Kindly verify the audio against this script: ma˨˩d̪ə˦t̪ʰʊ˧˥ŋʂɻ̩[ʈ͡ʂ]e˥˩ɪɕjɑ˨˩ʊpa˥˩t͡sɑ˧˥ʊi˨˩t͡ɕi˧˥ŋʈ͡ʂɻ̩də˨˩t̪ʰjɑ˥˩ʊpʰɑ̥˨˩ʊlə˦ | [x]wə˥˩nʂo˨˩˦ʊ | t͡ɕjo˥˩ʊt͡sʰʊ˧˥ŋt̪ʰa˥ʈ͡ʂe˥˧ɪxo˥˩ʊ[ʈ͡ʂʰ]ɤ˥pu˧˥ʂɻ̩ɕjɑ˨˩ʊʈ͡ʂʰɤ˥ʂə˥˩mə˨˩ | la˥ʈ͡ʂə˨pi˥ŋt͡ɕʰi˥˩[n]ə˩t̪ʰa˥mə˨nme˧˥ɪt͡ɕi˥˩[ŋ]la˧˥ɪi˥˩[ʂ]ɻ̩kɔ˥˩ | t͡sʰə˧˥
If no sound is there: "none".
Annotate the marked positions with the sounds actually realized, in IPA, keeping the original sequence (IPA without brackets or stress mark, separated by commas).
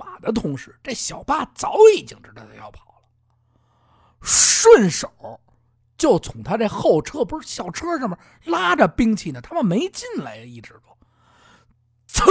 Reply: ʈ͡ʂ, ʂ, ʈ͡ʂʰ, n, n, ʈ͡ʂ